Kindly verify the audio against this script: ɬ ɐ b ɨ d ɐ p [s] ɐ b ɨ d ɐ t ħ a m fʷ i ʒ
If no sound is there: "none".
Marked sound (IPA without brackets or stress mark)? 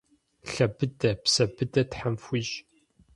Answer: s